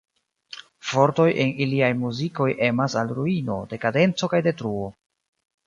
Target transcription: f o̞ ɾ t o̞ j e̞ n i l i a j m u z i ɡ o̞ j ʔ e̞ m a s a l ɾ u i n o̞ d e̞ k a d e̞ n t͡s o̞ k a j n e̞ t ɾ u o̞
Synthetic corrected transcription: f o̞ ɾ t o̞ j e̞ n i l i a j m u z i k o̞ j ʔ e̞ m a s a l ɾ u i n o̞ d e̞ k a d e̞ n t͡s o̞ k a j d e̞ t ɾ u o̞

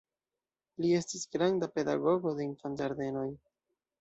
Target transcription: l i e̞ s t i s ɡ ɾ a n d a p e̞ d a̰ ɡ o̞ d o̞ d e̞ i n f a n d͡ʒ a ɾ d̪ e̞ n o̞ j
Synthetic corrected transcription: l i e̞ s t i s ɡ ɾ a n d a p e̞ d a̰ ɡ o̞ ɡ o̞ d e̞ i n f a n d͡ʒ a ɾ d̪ e̞ n o̞ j

